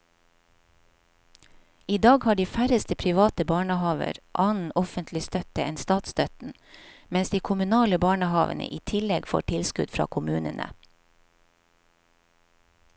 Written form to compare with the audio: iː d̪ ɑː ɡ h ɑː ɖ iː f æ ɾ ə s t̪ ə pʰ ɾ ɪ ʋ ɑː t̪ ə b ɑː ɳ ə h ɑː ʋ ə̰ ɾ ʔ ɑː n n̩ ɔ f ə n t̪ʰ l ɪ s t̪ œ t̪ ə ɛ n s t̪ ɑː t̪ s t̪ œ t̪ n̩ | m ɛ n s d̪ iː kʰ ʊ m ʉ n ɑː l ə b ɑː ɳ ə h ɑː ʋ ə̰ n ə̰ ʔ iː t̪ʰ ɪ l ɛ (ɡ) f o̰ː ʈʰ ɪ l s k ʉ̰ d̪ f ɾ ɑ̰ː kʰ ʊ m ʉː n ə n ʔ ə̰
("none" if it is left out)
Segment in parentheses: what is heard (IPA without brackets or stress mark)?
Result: ɡ